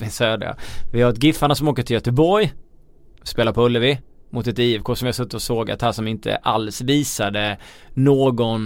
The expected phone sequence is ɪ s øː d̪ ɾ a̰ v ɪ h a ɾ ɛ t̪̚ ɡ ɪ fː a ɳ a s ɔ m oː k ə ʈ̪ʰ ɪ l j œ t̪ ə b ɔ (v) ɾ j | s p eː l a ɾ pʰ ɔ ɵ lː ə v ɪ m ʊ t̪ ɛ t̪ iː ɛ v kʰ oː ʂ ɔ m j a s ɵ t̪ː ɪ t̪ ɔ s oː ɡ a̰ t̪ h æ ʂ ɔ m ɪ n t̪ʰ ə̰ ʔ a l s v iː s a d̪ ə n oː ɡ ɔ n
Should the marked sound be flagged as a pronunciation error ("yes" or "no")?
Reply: yes